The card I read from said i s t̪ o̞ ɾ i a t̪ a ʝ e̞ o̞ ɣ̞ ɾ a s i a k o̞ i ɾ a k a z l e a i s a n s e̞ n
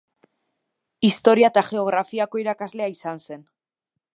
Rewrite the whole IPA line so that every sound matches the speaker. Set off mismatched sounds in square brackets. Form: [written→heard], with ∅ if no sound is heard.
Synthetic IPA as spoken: i s t̪ o̞ ɾ i a t̪ a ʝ e̞ o̞ ɣ̞ ɾ a [s→f] i a k o̞ i ɾ a k a z l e a i s a n s e̞ n